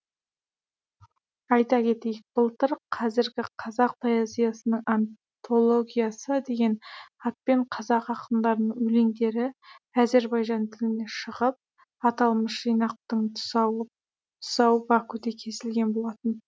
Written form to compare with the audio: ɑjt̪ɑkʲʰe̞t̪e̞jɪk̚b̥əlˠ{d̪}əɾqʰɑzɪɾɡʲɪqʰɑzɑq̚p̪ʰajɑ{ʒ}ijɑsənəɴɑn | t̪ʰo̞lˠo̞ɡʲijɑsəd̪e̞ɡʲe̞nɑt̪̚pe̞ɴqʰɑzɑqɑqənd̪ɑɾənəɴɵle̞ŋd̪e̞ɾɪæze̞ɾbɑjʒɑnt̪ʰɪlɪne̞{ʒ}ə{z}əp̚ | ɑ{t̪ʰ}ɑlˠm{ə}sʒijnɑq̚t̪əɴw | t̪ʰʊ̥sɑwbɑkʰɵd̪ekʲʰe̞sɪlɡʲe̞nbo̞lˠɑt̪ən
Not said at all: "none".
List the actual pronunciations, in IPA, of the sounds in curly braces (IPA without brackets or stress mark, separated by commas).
t̪, z, ʃ, ʁ, t̪, ə